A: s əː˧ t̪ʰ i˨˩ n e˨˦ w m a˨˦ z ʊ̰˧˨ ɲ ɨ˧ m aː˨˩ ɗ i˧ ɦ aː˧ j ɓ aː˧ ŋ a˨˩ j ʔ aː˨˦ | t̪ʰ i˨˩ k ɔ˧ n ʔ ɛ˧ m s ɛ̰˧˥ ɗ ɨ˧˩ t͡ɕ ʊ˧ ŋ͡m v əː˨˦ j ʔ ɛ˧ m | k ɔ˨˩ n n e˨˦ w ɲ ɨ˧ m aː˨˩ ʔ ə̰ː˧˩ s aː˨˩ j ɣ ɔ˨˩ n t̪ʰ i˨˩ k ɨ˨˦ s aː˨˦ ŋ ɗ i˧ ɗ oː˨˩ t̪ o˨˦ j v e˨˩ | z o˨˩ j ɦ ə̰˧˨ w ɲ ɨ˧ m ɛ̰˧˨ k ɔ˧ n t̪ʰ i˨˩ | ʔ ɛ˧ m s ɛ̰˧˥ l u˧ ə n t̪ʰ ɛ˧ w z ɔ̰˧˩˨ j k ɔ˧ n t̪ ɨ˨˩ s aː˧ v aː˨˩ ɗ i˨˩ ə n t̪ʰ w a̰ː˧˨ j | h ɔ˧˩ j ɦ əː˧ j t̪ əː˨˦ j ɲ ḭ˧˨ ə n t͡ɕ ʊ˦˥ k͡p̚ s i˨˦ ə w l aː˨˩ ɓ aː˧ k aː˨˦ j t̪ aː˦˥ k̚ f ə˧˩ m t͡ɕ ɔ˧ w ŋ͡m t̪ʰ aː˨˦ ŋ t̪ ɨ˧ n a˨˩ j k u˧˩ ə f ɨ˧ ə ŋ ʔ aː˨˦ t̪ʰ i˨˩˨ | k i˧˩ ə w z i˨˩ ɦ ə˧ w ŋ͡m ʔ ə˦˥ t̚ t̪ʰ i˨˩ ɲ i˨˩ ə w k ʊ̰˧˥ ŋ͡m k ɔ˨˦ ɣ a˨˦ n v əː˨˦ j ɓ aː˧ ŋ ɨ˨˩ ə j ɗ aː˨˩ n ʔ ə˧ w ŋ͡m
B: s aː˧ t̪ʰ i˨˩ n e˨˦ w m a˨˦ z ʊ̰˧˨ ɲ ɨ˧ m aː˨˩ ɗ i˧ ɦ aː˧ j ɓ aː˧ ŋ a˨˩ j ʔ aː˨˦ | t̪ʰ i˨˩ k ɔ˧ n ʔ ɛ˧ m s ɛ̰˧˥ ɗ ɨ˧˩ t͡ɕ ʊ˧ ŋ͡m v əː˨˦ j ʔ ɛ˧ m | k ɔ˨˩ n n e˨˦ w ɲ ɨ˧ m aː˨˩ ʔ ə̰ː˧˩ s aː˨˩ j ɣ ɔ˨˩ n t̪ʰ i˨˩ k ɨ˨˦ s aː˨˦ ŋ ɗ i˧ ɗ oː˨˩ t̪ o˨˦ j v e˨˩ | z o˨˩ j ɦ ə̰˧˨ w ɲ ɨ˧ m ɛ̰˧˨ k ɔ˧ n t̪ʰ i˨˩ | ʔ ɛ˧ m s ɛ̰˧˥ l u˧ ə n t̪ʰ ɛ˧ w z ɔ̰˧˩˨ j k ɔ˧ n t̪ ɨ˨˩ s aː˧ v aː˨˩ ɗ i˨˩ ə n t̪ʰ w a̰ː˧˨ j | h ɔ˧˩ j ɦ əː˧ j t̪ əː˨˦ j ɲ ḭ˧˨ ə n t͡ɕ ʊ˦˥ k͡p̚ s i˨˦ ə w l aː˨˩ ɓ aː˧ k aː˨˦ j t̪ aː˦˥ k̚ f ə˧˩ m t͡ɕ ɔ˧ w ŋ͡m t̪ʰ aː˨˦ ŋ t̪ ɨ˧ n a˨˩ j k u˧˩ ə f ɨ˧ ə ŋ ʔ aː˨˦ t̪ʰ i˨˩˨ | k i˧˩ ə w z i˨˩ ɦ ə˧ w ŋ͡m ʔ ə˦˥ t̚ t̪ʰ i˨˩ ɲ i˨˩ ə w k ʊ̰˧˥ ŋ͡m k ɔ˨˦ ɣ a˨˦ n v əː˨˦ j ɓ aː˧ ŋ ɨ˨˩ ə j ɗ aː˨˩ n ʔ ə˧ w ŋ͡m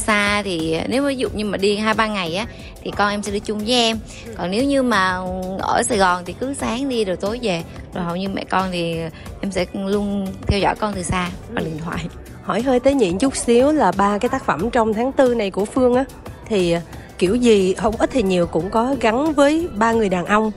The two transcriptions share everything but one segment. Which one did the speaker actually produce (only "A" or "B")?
B